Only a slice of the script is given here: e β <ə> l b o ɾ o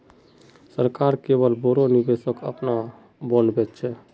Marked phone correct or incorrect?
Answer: correct